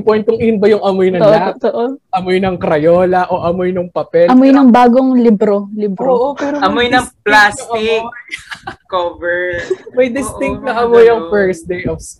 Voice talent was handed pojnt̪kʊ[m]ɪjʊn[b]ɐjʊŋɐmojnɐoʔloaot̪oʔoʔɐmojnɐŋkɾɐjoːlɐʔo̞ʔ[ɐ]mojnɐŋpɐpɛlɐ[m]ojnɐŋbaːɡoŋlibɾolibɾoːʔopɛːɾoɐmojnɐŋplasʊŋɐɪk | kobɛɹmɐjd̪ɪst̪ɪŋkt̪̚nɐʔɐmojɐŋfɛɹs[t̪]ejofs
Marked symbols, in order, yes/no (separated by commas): no, yes, yes, yes, no